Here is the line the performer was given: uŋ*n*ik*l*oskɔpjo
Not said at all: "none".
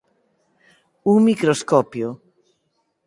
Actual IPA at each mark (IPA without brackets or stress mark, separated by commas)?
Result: m, ɾ